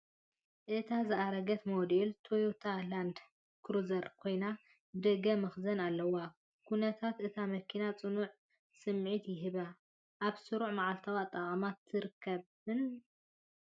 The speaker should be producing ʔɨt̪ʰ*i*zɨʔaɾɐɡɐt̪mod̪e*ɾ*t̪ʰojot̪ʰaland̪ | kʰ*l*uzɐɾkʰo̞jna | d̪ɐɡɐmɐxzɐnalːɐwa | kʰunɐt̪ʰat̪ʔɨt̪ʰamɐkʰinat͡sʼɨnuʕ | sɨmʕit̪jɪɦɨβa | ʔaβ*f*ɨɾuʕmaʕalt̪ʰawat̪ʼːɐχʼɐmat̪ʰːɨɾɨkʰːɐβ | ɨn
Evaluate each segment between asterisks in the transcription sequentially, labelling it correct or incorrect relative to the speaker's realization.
incorrect: a, incorrect: l, incorrect: ɾ, incorrect: s

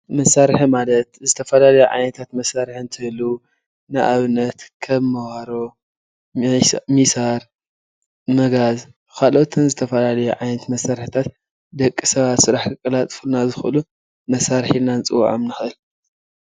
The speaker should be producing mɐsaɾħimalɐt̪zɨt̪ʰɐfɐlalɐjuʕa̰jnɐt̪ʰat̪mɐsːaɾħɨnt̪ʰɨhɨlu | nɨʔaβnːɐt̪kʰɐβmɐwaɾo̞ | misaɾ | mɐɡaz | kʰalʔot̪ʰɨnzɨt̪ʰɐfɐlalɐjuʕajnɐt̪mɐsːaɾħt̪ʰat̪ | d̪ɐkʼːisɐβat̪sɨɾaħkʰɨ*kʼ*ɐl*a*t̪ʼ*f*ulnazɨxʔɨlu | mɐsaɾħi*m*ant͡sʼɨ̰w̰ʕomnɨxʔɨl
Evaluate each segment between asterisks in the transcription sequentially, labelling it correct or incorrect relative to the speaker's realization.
correct, correct, correct, incorrect: n

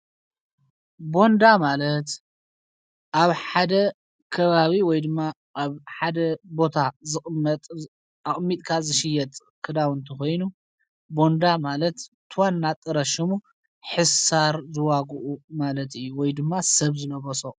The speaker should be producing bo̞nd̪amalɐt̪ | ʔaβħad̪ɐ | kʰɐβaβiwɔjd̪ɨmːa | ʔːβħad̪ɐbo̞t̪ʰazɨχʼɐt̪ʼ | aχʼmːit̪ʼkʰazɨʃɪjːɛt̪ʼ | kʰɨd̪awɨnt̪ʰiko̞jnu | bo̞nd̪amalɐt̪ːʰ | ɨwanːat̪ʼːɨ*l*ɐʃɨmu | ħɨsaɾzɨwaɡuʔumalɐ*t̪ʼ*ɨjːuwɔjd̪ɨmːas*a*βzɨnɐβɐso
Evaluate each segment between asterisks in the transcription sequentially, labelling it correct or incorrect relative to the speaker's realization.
incorrect: ɾ, incorrect: t̪, incorrect: ɐ

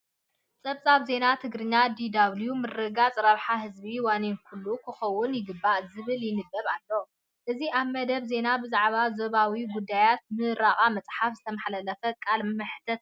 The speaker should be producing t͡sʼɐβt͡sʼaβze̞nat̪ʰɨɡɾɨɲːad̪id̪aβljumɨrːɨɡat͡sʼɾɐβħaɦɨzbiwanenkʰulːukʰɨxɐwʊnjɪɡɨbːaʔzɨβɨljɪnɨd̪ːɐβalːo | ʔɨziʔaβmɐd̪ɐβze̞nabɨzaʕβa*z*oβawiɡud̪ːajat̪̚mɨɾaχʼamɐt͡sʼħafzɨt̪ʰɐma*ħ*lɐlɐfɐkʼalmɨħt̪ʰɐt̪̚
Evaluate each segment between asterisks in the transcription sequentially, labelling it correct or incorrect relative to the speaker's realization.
correct, correct

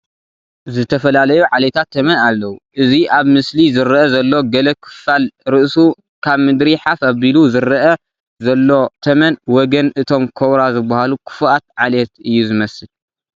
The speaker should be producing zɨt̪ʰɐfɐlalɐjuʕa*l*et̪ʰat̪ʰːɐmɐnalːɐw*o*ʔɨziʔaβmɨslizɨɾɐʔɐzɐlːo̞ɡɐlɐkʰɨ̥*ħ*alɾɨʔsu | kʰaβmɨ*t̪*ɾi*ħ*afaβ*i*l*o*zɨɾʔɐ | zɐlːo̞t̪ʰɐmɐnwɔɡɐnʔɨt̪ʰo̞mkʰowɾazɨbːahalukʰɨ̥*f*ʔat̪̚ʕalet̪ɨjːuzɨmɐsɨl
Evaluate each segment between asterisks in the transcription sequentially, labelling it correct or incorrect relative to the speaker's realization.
correct, incorrect: u, incorrect: f, incorrect: d̪, correct, correct, incorrect: u, correct

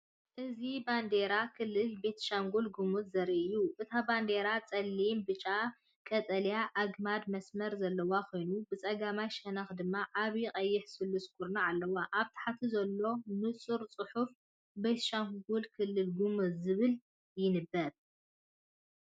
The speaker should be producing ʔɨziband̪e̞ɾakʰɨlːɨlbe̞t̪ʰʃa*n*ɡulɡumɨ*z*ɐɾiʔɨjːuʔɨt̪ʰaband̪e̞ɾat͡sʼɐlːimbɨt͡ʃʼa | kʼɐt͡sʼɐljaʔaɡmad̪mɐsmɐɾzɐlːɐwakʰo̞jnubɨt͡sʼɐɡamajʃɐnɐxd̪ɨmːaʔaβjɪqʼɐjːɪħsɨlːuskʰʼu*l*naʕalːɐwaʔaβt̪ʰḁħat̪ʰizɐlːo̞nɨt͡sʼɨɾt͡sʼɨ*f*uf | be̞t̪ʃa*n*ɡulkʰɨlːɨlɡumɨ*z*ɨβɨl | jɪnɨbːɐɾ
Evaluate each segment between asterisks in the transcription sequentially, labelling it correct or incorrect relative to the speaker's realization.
incorrect: ŋ, correct, incorrect: ɾ, incorrect: ħ, incorrect: ŋ, correct

